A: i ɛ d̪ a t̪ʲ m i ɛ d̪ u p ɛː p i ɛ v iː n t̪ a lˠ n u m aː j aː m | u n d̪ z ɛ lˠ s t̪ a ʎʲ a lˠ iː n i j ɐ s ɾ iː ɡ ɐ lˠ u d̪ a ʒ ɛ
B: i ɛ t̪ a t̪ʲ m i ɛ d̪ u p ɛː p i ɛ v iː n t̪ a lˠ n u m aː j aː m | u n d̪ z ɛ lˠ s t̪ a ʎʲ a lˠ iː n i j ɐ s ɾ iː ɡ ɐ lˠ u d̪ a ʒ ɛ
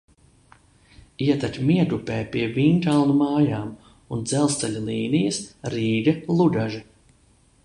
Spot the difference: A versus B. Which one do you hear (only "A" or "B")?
B